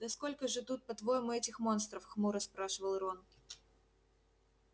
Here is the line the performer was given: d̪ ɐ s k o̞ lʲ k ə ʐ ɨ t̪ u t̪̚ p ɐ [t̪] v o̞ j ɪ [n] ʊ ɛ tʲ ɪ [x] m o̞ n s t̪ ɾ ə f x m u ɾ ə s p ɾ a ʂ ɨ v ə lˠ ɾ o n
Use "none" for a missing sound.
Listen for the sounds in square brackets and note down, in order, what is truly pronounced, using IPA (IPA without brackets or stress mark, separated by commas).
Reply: t̪, m, x